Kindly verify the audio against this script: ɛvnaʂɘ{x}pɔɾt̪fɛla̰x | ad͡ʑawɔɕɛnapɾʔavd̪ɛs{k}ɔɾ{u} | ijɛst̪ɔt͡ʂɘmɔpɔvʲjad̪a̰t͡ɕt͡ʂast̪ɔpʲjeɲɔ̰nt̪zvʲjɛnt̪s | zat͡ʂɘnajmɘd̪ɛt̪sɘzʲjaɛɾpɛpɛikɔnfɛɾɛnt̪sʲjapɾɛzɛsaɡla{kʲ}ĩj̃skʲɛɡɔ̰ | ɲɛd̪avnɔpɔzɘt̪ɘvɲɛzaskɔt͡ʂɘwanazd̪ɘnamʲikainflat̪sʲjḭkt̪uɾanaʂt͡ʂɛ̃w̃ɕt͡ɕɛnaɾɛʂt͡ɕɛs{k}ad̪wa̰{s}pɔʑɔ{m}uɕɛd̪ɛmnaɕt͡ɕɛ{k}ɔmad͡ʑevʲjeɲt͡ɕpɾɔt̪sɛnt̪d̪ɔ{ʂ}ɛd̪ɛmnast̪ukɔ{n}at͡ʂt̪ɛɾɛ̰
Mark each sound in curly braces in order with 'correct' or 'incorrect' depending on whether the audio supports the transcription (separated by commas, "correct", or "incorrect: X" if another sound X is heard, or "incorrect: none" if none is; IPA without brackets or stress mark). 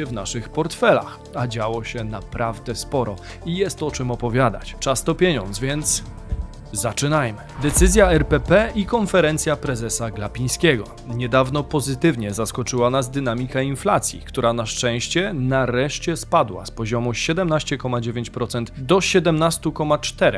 correct, incorrect: p, incorrect: ɔ, incorrect: pʲ, incorrect: p, correct, correct, correct, incorrect: ɕ, incorrect: m